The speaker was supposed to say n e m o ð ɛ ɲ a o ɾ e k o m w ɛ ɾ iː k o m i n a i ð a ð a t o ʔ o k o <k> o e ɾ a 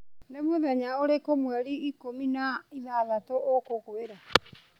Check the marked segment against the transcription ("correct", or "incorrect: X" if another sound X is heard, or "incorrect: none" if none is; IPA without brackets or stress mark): correct